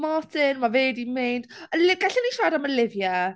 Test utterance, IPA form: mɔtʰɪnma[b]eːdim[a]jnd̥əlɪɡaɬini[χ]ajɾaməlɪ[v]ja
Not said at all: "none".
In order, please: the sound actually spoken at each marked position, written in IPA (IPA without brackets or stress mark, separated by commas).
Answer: v, e, ʃ, v